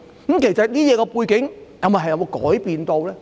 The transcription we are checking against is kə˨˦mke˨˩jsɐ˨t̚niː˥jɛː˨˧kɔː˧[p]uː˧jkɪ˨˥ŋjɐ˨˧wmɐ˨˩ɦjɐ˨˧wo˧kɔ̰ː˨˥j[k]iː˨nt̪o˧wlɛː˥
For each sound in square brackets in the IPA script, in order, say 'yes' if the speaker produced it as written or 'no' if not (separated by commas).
yes, no